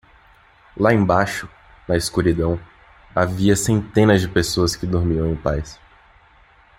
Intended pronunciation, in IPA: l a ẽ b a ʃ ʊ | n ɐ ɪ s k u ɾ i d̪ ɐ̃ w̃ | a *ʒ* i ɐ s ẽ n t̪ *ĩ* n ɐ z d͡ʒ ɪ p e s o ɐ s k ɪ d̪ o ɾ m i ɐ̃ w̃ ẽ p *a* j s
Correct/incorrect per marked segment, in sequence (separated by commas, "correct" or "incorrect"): incorrect, incorrect, correct